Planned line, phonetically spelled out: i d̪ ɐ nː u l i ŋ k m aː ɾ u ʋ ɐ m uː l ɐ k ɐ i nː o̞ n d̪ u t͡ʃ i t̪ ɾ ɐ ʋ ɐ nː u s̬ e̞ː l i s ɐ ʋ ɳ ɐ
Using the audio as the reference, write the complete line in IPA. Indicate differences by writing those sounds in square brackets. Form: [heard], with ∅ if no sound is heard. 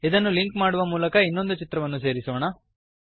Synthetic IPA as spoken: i d̪ ɐ nː u l i ŋ k m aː [ɽ] u ʋ ɐ m uː l ɐ k ɐ i nː o̞ n d̪ u t͡ʃ i t̪ ɾ ɐ ʋ ɐ nː u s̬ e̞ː [ɾ] i s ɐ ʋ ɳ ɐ